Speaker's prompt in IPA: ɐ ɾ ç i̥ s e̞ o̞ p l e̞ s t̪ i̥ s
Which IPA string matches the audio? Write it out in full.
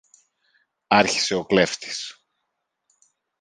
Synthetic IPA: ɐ ɾ ç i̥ s e̞ o̞ k l e̞ f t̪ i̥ s

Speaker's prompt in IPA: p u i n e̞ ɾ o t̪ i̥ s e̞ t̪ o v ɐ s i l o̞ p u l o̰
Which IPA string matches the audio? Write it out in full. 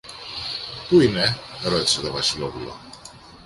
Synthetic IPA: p u i n e̞ ɾ o t̪ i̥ s e̞ t̪ o v ɐ s i l o̞ p u l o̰

